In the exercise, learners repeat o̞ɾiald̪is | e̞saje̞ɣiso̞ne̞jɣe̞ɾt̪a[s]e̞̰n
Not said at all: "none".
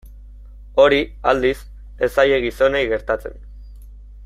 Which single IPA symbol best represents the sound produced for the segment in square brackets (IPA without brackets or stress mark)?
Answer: t͡s